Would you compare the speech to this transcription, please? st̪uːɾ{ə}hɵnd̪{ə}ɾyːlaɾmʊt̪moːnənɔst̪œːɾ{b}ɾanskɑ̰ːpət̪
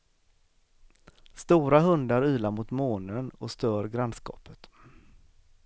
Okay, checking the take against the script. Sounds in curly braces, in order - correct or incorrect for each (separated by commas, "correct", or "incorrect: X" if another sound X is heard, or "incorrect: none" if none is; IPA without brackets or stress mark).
incorrect: a, incorrect: a, incorrect: ɡ